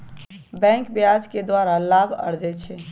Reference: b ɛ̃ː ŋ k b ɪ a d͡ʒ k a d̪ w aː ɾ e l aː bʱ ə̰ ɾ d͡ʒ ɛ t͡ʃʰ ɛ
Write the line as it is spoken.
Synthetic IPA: b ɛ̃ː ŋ k b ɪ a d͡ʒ k e d̪ w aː ɾ a l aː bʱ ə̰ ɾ d͡ʒ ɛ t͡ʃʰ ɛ